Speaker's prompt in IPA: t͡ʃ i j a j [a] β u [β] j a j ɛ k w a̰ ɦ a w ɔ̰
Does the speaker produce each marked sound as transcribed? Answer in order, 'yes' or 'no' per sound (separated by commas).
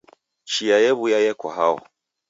no, no